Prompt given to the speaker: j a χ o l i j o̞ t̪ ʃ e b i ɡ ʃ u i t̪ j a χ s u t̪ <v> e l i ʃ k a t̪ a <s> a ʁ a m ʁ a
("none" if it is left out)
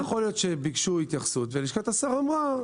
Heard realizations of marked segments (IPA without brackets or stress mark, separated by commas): v, s